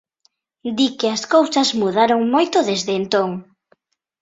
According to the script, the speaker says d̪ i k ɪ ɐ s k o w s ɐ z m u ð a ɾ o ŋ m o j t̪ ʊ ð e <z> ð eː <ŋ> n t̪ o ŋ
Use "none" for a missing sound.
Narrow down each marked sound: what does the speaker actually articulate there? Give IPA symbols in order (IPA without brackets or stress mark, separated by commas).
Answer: z, none